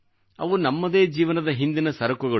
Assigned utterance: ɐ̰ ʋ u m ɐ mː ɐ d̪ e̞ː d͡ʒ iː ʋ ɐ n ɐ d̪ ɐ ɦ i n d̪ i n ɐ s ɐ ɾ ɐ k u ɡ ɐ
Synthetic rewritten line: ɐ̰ ʋ u n ɐ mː ɐ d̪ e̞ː d͡ʒ iː ʋ ɐ n ɐ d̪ ɐ ɦ i n d̪ i n ɐ s ɐ ɾ ɐ k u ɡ ɐ